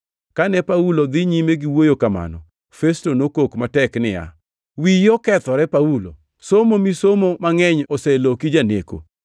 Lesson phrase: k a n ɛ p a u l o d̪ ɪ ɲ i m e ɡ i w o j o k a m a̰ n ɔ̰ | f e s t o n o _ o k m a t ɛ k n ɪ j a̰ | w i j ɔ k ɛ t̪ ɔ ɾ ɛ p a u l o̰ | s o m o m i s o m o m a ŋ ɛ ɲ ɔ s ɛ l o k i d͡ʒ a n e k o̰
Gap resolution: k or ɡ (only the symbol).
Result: k